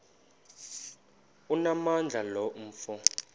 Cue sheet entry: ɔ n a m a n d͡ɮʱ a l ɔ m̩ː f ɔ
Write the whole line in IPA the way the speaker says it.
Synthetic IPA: u n a m a n d͡ɮʱ a l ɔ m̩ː f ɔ